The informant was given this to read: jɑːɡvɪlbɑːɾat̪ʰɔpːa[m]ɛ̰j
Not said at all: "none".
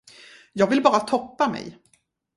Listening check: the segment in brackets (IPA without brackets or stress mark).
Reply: m